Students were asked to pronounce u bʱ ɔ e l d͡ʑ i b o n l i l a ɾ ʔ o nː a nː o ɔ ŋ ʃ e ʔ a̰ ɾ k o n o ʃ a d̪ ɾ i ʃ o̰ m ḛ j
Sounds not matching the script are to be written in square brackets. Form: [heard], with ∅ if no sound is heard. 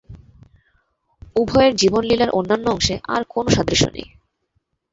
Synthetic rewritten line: u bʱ ɔ e [ɾ] d͡ʑ i b o n l i l a ɾ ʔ o nː a nː o ɔ ŋ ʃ e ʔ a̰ ɾ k o n o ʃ a d̪ ɾ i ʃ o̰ [n] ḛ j